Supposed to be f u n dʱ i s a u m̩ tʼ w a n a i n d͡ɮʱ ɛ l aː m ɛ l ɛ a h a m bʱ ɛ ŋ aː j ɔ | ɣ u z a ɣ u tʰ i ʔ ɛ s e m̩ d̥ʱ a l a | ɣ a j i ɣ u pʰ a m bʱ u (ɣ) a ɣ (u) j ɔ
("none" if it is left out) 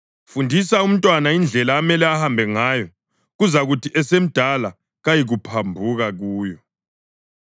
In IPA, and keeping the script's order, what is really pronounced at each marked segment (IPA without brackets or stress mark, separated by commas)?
ɣ, uː